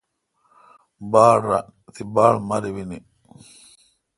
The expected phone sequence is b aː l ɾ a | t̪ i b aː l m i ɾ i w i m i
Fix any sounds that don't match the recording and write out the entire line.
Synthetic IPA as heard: b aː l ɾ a | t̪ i b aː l m a ɾ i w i n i